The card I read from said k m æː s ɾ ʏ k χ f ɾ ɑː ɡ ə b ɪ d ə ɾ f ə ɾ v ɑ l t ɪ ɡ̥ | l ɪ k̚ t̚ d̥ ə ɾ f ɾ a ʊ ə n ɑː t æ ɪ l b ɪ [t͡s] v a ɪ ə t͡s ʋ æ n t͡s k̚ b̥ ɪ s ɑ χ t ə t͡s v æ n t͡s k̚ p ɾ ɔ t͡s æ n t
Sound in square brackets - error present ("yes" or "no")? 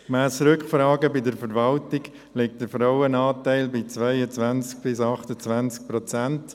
no